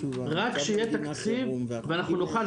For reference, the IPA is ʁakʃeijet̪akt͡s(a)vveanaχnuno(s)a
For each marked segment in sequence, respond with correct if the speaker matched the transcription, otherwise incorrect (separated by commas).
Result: incorrect, incorrect